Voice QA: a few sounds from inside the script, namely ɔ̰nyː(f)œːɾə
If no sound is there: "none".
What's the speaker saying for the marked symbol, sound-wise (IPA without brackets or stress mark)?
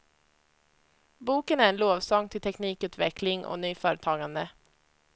f